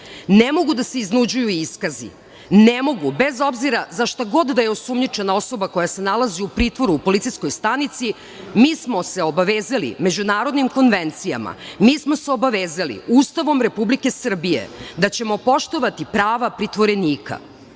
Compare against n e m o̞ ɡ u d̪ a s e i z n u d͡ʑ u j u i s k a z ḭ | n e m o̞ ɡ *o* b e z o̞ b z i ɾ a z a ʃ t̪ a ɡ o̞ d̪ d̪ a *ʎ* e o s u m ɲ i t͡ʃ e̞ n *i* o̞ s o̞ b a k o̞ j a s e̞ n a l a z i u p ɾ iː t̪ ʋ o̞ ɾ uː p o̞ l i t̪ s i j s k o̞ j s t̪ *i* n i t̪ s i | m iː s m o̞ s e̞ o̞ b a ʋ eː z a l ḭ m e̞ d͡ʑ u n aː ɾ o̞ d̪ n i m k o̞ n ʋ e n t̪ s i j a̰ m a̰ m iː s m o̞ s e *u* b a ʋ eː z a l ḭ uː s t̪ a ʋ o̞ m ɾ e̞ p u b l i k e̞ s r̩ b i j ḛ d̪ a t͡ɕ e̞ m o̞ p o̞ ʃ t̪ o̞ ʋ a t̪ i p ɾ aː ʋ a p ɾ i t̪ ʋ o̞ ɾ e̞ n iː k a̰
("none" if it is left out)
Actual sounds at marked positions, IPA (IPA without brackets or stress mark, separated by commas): u, j, a, a, o